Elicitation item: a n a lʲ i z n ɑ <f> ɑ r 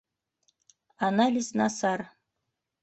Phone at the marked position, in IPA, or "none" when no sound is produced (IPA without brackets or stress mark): s